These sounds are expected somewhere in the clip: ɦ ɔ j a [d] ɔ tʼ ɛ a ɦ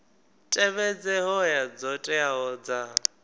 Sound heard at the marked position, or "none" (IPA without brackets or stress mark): d͡z